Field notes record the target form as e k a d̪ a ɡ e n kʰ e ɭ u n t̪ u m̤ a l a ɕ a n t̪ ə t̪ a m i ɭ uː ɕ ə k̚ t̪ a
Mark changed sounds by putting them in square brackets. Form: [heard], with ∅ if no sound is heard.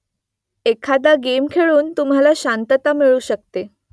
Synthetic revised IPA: e [kʰ] a d̪ a ɡ e [m] kʰ e ɭ [uː] n t̪ u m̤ a l a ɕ a n t̪ ə t̪ a m i ɭ uː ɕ ə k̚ t̪ [e]